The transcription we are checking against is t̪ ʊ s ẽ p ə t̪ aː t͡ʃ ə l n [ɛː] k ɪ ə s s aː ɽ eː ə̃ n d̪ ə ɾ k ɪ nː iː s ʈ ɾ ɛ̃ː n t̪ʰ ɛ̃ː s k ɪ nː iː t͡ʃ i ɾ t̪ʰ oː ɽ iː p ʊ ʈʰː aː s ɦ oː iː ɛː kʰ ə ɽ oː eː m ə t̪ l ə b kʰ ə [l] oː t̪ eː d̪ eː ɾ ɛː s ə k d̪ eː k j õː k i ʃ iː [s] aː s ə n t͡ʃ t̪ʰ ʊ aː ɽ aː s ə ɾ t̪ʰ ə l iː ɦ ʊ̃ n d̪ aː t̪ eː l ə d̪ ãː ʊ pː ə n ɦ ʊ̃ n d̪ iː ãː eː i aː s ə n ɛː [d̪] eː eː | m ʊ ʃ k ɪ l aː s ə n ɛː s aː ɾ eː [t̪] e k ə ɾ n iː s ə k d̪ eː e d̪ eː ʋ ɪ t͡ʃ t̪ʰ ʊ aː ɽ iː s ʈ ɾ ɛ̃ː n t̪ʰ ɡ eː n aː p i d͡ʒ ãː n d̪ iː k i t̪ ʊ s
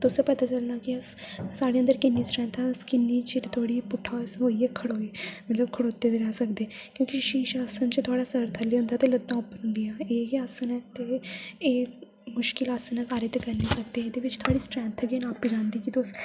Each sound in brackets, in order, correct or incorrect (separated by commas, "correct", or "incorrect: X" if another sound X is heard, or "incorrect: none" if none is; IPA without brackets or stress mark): incorrect: aː, incorrect: ɽ, incorrect: ʃ, incorrect: t̪, correct